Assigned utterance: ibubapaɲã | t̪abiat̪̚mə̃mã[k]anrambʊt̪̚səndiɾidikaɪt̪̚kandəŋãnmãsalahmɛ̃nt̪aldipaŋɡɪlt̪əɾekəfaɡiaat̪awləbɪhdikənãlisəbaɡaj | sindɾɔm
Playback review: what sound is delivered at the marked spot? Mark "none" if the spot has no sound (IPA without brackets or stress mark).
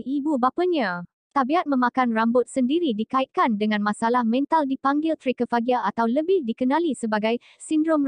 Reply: k